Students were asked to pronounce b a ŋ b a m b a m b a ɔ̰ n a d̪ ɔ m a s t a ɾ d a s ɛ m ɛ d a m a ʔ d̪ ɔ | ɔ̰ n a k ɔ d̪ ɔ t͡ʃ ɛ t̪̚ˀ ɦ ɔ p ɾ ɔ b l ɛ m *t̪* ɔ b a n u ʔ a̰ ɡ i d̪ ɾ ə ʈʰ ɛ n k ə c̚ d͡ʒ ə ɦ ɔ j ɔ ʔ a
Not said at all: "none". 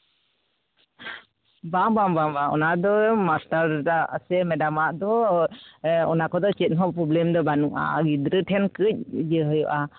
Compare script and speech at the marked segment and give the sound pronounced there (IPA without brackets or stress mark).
d̪